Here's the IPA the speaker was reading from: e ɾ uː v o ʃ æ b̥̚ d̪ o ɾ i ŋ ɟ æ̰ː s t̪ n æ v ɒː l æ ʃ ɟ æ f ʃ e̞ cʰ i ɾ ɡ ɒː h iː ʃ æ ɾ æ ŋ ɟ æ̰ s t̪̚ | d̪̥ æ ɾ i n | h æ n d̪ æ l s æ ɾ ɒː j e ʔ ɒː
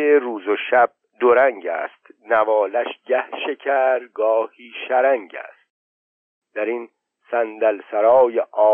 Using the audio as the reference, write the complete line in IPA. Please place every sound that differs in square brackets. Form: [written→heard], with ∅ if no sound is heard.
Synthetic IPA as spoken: e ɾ uː [v→z] o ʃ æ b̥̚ d̪ o ɾ [i→æ] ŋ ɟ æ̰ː s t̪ n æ v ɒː l æ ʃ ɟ æ [f→h] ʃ e̞ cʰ [i→æ] ɾ ɡ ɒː h iː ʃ æ ɾ æ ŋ ɟ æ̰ s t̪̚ | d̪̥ æ ɾ i n | [h→s] æ n d̪ æ l s æ ɾ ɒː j e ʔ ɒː